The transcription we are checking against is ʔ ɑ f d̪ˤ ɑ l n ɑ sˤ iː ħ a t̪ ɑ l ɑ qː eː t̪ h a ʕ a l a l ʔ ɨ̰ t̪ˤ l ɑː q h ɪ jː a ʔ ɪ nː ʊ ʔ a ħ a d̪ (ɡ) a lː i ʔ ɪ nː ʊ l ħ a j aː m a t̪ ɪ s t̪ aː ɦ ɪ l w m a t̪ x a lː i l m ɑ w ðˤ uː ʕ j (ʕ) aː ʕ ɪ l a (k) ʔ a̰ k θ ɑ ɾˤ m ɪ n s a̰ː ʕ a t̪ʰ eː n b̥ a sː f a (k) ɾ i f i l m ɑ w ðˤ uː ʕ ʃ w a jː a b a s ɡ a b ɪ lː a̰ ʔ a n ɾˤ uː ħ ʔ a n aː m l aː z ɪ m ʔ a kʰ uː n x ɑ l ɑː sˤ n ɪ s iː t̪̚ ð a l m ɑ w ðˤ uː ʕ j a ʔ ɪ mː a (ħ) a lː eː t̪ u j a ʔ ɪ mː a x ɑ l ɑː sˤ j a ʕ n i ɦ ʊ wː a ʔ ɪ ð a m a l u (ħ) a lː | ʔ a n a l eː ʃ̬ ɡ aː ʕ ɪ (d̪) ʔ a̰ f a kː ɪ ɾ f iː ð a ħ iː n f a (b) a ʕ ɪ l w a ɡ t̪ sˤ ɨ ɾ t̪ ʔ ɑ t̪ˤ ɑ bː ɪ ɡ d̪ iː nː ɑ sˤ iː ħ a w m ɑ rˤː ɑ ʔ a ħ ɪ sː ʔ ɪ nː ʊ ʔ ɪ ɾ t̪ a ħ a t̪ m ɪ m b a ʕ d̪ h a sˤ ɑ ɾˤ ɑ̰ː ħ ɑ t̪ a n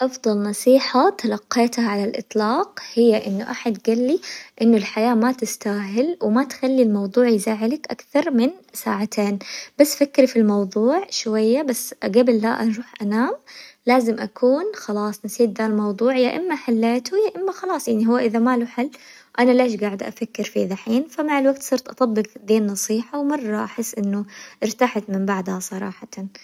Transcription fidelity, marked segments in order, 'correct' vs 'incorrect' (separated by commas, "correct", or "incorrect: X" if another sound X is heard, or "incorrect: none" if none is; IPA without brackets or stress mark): correct, incorrect: z, correct, correct, correct, correct, correct, incorrect: m